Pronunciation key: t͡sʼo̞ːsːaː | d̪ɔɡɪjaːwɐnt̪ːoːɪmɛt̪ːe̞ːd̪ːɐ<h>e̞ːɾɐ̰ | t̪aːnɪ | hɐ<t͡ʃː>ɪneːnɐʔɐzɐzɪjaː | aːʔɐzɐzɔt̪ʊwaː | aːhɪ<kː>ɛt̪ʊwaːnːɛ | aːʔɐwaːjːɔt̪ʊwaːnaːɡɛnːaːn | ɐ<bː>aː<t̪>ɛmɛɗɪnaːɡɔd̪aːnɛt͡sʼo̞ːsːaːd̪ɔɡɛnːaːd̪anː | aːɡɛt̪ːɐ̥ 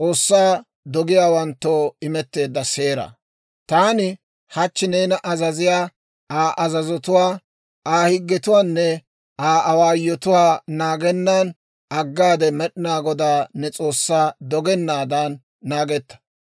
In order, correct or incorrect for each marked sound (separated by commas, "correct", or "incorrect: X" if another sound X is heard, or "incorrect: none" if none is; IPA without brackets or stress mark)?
incorrect: s, correct, incorrect: ɡː, incorrect: ɡː, incorrect: d̪